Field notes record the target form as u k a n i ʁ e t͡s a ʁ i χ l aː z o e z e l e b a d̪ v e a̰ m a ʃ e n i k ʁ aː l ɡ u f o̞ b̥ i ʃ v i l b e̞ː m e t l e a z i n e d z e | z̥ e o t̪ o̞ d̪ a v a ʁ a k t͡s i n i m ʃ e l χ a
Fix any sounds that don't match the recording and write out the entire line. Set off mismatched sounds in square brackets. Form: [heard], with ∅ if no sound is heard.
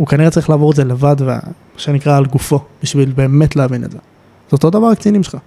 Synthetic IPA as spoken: u k a n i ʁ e t͡s a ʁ i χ l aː [v] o e z e l e [v] a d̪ v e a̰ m a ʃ e n i k ʁ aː l ɡ u f o̞ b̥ i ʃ v i l b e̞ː m e t l e a [v] i n e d z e | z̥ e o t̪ o̞ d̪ a v a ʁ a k t͡s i n i m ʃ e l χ a